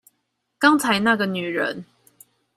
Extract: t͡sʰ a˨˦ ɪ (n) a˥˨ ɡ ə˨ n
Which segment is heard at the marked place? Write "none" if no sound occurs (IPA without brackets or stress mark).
n